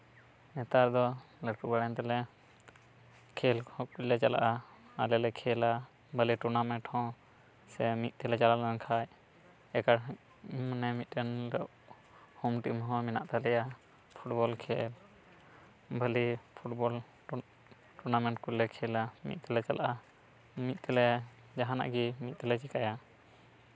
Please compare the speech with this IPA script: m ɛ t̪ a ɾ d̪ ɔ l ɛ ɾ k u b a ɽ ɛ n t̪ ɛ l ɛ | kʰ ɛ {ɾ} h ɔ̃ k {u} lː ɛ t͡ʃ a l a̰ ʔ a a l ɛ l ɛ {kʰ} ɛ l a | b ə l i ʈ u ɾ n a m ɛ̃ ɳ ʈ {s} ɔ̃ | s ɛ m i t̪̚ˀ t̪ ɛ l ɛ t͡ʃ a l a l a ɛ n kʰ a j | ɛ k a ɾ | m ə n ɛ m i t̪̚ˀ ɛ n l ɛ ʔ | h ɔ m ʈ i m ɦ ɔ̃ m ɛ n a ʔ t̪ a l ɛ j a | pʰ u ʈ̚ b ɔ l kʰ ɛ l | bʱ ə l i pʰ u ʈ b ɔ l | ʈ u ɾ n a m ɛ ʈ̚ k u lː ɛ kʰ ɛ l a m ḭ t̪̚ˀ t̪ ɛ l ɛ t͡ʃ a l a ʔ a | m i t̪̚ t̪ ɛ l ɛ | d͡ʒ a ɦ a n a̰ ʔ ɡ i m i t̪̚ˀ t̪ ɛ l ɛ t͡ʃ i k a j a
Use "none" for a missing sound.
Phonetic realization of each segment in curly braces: l, u, kʰ, h

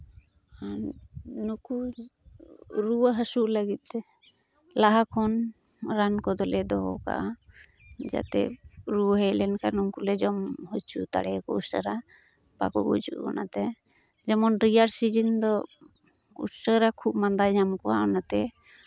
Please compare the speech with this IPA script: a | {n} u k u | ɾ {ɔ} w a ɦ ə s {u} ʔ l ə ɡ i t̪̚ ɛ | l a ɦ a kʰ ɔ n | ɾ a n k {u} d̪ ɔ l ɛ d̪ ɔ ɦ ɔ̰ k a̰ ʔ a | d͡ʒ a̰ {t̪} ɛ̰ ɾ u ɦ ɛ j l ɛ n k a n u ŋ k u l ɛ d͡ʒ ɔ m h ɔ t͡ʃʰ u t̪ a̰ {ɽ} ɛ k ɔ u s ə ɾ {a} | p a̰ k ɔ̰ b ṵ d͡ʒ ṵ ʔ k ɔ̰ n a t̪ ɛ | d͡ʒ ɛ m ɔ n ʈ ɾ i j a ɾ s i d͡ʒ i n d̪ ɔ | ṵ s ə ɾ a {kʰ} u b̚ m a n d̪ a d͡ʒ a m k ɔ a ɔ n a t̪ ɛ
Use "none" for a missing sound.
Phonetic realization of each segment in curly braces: n, u, u, ɔ, t̪, ɽ, a, kʰ

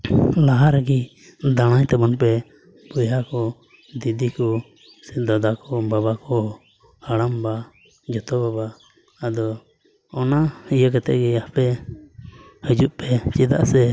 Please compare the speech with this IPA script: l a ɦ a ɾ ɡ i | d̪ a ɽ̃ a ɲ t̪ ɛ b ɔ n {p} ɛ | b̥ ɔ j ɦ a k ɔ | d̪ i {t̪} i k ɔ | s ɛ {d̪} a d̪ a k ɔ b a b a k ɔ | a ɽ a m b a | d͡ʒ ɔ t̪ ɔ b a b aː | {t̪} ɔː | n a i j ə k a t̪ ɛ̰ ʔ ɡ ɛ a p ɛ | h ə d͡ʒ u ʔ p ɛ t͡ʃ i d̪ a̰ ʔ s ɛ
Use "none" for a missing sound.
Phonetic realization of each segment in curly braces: p, d̪, d̪, d̪

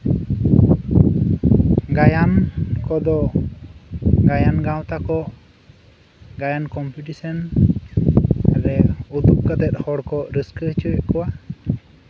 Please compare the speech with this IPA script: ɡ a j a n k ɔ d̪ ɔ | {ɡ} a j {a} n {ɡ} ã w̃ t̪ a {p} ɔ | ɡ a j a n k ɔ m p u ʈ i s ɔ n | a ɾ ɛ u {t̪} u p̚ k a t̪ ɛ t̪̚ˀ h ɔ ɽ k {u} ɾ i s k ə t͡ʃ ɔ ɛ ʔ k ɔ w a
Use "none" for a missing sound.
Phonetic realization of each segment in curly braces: ɡ, a, ɡ, k, d̪, ɔ

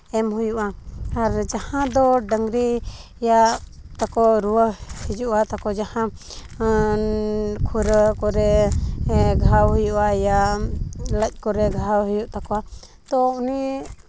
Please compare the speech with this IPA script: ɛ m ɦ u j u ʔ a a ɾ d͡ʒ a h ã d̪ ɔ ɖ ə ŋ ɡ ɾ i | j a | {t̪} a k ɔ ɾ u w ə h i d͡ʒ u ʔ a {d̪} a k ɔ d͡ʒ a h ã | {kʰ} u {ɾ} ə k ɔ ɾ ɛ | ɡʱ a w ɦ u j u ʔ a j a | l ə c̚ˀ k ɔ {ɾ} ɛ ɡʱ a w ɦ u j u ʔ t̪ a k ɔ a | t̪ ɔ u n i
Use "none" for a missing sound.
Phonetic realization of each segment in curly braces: t̪, t̪, kʰ, ɾ, ɾ

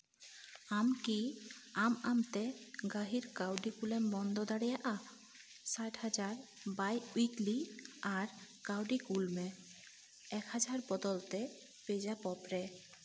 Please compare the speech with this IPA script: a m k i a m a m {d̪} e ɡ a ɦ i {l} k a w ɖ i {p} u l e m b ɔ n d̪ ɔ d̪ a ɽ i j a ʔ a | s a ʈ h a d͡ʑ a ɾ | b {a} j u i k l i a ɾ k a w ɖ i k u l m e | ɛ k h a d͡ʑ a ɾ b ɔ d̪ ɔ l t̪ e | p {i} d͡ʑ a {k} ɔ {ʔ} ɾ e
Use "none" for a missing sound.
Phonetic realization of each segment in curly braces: t̪, ɾ, k, a, e, p, p

